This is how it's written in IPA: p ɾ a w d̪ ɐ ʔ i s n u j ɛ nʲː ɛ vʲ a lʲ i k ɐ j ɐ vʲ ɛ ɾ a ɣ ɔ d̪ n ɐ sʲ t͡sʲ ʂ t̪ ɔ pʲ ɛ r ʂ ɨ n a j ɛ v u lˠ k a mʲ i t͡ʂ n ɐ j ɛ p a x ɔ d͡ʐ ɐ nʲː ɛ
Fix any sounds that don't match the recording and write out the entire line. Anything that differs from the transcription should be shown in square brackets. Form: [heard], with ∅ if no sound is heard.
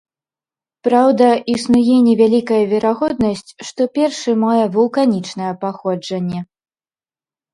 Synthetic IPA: p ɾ a w d̪ ɐ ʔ i s n u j ɛ [nʲ] ɛ vʲ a lʲ i k ɐ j ɐ vʲ ɛ ɾ a ɣ ɔ d̪ n ɐ sʲ t͡sʲ ʂ t̪ ɔ pʲ ɛ r ʂ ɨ [m] a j ɛ v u lˠ k a [nʲ] i t͡ʂ n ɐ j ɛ p a x ɔ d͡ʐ ɐ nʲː ɛ

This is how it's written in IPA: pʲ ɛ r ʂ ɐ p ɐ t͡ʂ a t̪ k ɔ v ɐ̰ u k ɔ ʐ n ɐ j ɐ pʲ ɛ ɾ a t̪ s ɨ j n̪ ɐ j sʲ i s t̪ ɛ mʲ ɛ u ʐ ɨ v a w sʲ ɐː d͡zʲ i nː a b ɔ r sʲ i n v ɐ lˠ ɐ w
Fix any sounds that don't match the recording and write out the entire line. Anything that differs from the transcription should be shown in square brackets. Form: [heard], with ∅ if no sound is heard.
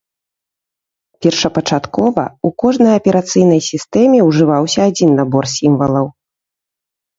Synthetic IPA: pʲ ɛ r ʂ ɐ p ɐ t͡ʂ a t̪ k ɔ v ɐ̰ u k ɔ ʐ n ɐ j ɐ pʲ ɛ ɾ a t̪ s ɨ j n̪ ɐ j sʲ i s t̪ ɛ mʲ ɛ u ʐ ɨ v a w sʲ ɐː d͡zʲ i nː a b ɔ r sʲ i [m] v ɐ lˠ ɐ w

